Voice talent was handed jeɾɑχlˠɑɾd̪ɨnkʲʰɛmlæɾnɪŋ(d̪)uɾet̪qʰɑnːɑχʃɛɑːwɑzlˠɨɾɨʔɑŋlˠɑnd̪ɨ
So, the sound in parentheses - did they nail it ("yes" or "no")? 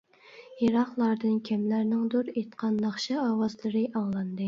yes